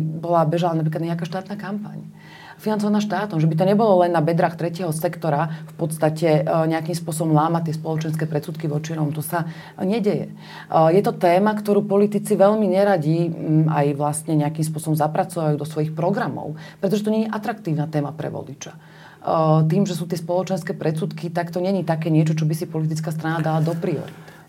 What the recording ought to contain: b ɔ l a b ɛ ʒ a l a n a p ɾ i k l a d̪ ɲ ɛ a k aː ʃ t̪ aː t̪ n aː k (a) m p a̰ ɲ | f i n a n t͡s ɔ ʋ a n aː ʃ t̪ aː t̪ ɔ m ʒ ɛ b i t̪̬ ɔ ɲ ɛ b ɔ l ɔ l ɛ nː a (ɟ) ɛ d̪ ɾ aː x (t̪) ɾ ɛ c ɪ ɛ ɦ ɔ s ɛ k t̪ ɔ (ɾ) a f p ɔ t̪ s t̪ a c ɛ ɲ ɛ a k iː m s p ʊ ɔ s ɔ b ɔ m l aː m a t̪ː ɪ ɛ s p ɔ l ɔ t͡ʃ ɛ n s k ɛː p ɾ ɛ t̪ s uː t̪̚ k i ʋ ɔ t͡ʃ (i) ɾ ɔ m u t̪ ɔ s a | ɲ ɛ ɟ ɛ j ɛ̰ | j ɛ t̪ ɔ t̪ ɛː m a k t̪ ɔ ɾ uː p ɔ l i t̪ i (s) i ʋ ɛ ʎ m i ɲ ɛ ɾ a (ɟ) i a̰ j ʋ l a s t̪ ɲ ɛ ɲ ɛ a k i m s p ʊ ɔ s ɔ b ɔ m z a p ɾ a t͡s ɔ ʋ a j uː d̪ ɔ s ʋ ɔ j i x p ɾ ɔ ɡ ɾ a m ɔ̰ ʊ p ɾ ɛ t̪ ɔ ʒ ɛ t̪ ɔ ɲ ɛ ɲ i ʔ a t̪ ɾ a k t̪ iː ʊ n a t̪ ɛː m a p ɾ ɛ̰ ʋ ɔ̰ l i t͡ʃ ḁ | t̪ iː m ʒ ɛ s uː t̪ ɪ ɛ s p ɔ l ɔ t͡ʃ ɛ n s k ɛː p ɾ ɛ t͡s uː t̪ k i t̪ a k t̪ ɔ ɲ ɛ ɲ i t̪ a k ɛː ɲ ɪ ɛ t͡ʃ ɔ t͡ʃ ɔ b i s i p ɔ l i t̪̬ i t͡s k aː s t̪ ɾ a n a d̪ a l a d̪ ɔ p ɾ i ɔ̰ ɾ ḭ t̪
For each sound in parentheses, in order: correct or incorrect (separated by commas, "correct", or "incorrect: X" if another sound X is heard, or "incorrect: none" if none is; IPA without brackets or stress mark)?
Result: correct, incorrect: b, correct, correct, correct, incorrect: t͡s, correct